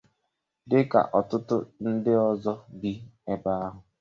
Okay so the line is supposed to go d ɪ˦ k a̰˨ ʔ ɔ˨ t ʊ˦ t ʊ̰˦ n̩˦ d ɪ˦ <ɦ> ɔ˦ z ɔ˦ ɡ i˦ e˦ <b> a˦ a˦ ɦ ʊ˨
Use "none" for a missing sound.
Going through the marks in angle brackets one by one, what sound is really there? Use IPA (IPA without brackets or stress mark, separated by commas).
none, b